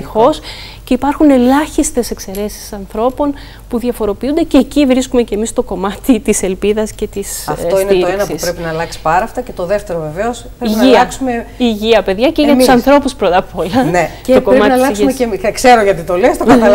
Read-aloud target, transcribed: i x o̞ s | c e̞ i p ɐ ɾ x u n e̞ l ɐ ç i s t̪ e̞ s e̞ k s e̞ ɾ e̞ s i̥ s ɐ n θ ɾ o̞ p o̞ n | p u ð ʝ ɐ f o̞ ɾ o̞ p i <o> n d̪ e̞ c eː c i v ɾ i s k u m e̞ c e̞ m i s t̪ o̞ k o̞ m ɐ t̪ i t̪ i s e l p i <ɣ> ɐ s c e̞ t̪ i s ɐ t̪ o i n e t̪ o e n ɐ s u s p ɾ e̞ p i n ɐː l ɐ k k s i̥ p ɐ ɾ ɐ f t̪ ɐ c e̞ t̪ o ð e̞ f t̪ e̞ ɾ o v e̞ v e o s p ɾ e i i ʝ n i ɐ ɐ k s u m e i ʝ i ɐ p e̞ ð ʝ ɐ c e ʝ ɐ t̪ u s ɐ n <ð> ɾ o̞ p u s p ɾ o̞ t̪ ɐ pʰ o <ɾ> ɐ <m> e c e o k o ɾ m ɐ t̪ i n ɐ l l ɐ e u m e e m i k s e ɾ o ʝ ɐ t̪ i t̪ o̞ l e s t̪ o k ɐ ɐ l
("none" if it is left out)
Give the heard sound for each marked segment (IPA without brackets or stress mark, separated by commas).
u, ð, θ, l, n